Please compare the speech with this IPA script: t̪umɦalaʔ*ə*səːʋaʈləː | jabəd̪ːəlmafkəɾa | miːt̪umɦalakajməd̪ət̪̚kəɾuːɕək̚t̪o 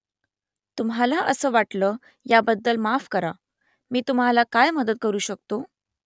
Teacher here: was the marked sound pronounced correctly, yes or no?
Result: yes